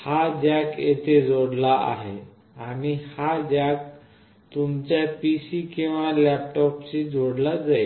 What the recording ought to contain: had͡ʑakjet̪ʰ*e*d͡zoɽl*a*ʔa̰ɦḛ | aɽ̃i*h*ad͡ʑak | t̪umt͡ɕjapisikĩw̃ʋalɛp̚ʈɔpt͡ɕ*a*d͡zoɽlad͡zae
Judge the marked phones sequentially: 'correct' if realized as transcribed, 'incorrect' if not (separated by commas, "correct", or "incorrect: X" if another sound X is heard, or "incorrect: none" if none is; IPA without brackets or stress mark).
correct, correct, correct, incorrect: i